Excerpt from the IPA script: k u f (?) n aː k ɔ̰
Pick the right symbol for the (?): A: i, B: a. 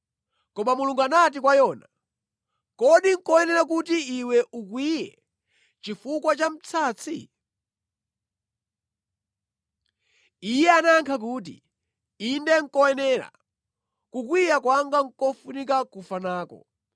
B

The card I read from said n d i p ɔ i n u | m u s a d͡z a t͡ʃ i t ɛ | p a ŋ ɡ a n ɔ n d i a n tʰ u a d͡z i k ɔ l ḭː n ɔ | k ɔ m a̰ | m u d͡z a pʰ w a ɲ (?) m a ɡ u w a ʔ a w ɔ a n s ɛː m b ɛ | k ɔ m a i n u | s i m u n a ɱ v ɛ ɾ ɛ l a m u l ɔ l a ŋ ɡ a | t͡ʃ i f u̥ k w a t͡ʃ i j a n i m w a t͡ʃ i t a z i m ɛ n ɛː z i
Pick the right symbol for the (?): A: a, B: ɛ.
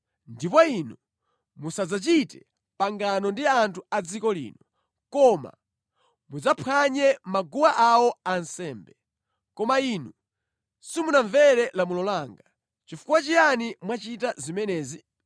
B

